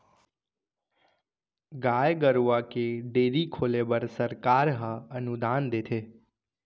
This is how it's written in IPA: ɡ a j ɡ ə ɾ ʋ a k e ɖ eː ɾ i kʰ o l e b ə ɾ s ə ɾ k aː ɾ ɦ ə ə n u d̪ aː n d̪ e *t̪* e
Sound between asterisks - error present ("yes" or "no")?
yes